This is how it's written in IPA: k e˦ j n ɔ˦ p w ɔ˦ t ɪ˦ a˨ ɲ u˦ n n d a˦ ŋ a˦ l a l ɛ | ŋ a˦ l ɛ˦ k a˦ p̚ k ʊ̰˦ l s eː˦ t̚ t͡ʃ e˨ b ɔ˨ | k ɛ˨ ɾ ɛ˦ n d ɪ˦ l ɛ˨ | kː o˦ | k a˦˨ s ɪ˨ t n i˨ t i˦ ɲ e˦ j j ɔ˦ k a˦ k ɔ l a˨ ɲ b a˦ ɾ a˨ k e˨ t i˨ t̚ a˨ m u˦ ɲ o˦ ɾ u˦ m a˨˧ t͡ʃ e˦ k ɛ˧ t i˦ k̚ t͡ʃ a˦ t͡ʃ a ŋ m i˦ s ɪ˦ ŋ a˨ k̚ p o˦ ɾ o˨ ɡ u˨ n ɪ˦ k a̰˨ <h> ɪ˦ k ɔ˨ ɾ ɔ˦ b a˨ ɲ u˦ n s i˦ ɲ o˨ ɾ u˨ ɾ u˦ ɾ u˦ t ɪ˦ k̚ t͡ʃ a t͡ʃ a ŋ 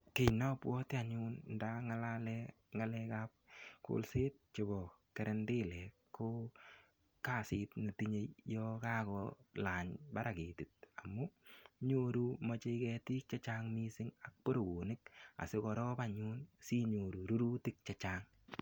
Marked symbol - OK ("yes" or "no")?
no